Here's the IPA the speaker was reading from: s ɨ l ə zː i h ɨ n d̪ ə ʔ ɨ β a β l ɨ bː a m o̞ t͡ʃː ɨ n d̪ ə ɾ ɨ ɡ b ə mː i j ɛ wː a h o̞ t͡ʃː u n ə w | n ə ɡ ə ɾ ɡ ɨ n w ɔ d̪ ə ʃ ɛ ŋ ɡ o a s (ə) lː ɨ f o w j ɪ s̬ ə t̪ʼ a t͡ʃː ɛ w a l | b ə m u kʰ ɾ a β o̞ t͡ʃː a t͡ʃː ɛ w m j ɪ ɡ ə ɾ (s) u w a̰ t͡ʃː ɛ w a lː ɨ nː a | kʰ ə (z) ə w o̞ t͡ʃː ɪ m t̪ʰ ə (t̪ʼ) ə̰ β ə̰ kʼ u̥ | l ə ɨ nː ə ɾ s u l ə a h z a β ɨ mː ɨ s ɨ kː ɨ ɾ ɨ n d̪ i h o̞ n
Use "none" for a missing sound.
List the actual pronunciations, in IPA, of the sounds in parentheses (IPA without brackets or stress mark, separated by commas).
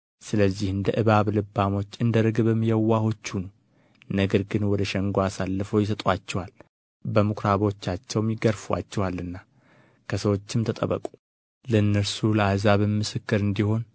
a, f, s, t̪ʼ